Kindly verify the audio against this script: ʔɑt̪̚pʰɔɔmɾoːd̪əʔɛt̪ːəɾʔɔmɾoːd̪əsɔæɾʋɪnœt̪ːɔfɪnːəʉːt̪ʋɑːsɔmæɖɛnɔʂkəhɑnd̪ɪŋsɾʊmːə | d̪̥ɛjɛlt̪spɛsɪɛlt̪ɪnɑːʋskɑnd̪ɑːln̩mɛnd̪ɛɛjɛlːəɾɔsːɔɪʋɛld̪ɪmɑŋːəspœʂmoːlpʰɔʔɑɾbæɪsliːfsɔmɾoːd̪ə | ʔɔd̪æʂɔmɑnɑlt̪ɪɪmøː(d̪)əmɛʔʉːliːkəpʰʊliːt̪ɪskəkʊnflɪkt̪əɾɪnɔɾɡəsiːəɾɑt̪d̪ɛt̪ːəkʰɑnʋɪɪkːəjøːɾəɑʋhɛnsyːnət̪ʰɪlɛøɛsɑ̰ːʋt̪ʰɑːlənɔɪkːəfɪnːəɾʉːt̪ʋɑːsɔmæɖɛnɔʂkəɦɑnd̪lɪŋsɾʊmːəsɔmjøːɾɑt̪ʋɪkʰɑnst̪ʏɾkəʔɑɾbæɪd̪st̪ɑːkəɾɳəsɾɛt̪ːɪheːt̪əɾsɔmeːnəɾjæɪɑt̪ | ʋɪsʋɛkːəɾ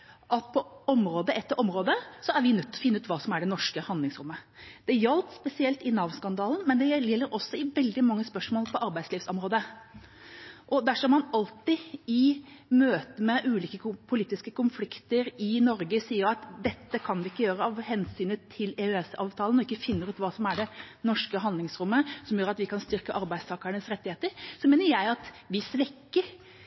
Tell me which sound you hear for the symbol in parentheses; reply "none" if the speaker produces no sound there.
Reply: t̪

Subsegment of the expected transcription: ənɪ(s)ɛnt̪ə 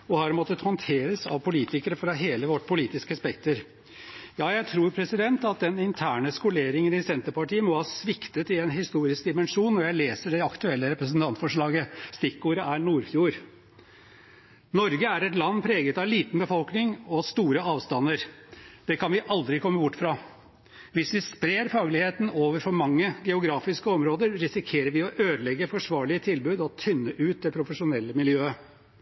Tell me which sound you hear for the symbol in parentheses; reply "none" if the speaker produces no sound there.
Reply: s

